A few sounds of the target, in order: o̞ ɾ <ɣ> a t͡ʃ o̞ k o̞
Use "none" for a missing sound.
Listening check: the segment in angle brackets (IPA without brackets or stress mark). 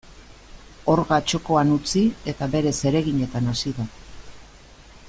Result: ɣ